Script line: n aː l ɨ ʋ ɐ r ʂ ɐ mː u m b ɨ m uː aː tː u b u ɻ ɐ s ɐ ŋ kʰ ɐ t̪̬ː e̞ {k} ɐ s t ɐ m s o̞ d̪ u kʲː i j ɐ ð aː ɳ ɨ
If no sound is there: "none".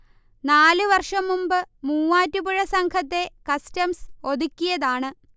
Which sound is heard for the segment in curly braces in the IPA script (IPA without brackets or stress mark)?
k